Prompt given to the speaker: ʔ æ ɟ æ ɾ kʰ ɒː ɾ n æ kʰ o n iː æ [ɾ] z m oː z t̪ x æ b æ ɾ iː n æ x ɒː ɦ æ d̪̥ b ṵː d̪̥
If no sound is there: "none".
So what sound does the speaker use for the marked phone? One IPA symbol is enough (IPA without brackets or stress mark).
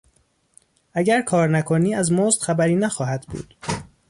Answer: none